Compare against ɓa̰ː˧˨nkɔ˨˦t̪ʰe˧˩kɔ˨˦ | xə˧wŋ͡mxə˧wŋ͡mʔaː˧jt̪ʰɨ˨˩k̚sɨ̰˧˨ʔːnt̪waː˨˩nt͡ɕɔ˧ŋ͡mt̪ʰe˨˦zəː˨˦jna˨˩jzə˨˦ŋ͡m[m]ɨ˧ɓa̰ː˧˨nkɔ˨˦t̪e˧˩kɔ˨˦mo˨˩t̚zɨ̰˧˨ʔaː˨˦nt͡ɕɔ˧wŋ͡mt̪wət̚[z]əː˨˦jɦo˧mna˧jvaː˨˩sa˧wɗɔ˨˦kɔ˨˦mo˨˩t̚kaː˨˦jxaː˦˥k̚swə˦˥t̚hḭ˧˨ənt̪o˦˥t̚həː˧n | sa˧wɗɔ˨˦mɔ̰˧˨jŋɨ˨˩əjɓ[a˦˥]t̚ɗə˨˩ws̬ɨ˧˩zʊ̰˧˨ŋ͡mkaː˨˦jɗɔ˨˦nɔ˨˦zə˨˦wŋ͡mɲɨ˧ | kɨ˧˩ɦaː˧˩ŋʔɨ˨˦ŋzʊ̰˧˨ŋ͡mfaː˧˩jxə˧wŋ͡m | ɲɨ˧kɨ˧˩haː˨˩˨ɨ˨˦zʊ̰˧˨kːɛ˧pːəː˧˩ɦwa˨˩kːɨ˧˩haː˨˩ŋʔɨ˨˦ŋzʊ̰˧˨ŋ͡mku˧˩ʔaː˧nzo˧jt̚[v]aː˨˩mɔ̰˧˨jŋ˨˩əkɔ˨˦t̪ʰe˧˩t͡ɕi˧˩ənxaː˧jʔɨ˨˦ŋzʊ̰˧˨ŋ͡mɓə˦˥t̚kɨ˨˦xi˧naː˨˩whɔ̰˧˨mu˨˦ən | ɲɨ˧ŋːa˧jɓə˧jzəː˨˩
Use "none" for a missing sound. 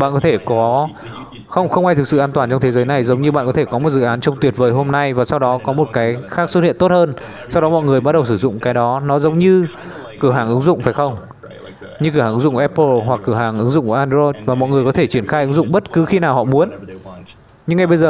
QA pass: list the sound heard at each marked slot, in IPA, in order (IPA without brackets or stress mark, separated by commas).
ɲ, v, a˦˥, v